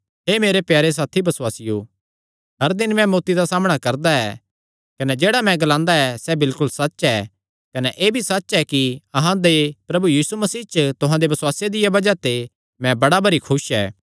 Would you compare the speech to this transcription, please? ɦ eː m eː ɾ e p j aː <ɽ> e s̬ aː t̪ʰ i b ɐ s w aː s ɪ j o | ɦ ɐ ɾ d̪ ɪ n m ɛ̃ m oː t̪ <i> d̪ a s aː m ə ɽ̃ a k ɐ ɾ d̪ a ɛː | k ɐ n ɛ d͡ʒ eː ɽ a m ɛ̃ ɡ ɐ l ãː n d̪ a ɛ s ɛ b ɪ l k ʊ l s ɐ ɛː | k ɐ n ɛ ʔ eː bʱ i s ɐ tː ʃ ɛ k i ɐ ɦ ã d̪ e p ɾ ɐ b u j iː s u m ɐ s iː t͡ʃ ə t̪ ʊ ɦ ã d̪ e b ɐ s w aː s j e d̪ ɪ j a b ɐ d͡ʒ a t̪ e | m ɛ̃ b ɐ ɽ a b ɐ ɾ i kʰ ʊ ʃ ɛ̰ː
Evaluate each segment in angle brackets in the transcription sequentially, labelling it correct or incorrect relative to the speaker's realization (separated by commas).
incorrect, correct